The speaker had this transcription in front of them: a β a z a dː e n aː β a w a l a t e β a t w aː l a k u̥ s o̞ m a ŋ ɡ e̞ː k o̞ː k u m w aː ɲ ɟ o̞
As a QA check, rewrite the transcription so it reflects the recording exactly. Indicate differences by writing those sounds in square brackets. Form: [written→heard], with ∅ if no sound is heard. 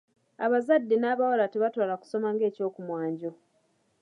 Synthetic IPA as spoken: a β a z a dː e n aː β a w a l a t e β a t w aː l a k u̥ s o̞ m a ŋ ɡ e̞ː [k→c] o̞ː k u m w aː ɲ ɟ o̞